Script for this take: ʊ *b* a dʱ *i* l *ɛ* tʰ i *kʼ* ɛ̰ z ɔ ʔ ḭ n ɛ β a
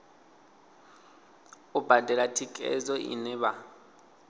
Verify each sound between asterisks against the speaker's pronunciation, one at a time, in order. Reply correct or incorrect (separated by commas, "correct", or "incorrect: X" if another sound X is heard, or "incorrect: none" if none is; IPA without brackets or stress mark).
correct, incorrect: ɛ, incorrect: a, correct